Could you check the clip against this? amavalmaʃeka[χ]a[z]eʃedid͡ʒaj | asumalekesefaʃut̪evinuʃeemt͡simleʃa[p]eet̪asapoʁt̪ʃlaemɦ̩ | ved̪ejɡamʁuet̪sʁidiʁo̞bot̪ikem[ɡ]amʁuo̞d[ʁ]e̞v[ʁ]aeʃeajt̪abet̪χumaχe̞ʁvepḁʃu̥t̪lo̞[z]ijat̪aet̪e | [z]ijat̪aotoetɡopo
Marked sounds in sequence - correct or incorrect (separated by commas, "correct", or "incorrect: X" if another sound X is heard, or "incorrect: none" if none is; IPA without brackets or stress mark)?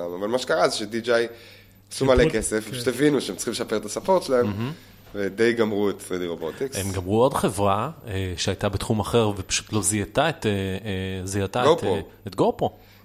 incorrect: ʁ, correct, correct, correct, incorrect: χ, correct, correct, correct